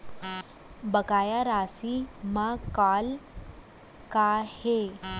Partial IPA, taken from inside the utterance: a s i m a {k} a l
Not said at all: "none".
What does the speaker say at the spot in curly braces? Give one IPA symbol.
k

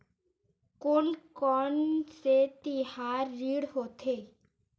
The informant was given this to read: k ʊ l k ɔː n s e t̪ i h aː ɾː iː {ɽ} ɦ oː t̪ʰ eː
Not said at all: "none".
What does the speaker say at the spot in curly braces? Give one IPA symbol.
ɽ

